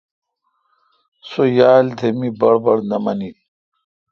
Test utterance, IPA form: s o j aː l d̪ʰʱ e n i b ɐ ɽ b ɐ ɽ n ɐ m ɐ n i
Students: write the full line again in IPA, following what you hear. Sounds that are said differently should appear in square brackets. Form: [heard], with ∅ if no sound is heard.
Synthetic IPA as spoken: s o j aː l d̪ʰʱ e [m] i b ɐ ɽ b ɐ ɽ n ɐ m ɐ n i